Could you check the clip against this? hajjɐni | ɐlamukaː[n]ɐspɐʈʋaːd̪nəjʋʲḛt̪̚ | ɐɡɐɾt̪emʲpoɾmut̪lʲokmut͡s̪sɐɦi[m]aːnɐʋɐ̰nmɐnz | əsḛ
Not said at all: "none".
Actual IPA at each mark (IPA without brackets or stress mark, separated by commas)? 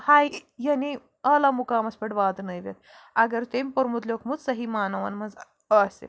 m, m